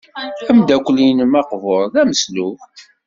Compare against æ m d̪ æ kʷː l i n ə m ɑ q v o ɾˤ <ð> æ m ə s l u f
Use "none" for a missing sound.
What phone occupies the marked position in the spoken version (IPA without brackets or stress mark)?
ð